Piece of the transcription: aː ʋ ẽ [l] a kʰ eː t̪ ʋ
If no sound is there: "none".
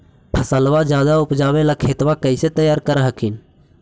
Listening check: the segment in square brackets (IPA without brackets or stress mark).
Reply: l